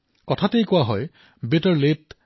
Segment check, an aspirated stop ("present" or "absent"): present